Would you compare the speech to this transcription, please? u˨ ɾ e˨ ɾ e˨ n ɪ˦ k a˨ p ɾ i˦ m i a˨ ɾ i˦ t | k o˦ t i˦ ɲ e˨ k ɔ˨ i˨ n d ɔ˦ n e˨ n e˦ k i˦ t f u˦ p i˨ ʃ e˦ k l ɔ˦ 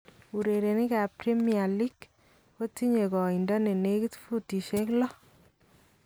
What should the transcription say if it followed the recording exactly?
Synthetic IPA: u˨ ɾ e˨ ɾ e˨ n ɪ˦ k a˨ p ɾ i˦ m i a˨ l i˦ k | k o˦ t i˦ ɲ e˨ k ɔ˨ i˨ n d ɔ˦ n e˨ n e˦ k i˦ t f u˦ t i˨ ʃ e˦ k l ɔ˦